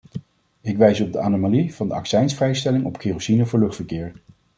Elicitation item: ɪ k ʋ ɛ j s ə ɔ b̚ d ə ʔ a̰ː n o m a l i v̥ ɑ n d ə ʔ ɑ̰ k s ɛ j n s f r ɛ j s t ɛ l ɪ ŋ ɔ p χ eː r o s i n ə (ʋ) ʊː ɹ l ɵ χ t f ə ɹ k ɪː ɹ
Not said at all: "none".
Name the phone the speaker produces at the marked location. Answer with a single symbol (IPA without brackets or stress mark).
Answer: v